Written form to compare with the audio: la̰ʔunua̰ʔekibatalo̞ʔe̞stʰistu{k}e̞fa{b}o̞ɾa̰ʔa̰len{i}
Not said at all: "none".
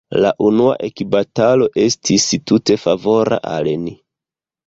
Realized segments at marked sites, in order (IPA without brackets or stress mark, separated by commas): t, v, i